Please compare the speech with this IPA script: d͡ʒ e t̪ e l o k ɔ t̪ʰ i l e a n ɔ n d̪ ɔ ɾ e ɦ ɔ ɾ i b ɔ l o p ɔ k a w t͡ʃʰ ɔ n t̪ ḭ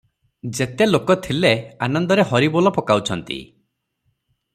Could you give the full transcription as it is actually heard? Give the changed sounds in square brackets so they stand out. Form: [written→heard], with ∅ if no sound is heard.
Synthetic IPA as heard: d͡ʒ e t̪ e l o k ɔ t̪ʰ i l e a n ɔ n d̪ ɔ ɾ e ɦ ɔ ɾ i b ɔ l [o→ɔ] p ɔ k a w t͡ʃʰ ɔ n t̪ ḭ